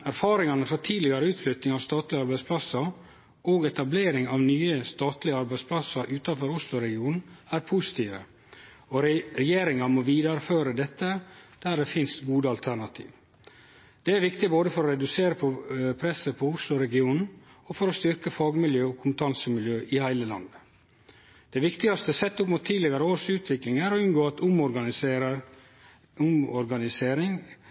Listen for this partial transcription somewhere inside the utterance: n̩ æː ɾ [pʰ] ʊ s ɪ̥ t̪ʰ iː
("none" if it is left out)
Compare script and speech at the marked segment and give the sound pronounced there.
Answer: pʰ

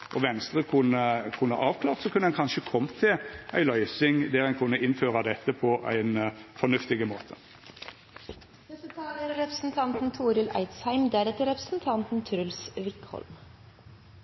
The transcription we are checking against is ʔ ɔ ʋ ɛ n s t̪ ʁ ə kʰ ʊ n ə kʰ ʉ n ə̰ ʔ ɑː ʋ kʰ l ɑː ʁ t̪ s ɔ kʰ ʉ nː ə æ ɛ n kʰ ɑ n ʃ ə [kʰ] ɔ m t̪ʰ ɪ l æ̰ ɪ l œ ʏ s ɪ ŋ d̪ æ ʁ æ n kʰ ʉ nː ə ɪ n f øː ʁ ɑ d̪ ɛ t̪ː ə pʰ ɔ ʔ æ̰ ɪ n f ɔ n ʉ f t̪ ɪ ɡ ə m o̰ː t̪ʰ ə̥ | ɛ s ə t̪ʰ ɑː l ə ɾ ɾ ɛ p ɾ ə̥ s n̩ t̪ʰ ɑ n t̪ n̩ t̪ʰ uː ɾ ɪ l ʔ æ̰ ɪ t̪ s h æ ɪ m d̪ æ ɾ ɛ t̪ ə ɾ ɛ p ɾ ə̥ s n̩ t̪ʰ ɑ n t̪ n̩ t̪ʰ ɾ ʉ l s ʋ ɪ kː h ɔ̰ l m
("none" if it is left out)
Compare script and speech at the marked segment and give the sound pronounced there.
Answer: kʰ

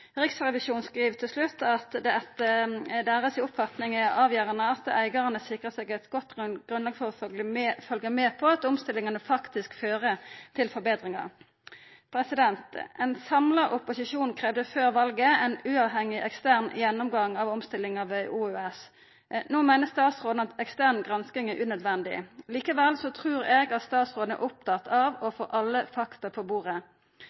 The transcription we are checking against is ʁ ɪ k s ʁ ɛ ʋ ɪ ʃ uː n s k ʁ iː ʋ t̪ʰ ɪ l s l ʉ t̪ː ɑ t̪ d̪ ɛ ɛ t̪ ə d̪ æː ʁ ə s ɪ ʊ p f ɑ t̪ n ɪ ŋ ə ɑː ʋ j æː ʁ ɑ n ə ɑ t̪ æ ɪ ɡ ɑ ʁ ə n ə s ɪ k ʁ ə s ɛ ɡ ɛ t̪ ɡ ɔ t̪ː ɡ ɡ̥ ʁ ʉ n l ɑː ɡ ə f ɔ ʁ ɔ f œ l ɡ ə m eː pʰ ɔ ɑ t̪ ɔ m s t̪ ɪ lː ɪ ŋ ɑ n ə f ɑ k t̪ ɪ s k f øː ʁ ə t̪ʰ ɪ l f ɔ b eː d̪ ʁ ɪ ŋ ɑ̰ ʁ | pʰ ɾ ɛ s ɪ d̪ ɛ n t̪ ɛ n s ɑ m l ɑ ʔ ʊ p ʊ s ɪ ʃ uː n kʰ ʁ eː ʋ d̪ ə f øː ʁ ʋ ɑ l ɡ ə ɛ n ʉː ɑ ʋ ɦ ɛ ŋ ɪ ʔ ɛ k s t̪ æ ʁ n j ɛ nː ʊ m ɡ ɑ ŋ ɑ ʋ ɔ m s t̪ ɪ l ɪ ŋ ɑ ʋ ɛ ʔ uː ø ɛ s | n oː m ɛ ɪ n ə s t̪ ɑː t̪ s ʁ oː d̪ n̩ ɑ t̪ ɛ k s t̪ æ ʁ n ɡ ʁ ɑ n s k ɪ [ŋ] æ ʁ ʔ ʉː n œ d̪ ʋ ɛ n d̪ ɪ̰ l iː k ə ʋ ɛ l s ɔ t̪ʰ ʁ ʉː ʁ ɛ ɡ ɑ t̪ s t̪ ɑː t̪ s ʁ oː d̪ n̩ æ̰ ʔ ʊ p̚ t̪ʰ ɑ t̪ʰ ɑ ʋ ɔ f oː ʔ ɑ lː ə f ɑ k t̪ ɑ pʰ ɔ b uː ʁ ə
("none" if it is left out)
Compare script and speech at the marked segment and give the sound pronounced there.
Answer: ŋ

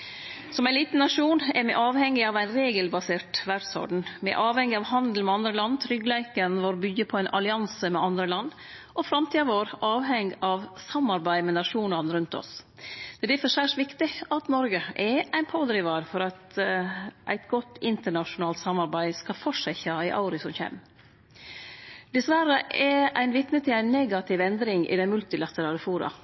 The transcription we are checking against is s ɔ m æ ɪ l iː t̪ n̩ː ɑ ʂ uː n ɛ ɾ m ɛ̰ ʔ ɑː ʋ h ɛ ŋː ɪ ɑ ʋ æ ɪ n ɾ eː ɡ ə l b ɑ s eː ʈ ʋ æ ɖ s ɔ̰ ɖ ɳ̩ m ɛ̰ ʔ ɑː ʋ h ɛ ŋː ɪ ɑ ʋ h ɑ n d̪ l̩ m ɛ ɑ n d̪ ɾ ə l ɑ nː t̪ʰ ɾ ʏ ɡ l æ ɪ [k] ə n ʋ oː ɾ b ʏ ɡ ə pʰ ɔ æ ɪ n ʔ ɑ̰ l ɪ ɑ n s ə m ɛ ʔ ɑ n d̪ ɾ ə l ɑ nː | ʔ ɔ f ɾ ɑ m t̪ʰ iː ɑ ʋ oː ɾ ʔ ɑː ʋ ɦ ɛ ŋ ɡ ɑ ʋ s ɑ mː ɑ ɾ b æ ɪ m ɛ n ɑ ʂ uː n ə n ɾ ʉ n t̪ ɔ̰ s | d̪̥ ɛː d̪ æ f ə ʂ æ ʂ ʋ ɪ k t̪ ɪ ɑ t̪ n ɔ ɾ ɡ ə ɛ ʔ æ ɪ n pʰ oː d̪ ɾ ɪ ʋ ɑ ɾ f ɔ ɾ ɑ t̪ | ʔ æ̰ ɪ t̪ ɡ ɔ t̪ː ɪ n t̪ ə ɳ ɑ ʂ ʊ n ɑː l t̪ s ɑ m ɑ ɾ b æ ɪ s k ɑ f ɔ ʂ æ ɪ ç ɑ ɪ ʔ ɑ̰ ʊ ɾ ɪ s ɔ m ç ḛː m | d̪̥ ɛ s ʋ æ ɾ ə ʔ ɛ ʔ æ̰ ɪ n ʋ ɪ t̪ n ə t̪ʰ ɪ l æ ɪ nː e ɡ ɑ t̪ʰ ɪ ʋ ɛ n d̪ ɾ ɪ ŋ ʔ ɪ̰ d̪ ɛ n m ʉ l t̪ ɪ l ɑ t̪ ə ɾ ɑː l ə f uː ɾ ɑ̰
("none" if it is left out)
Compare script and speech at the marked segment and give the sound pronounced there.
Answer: k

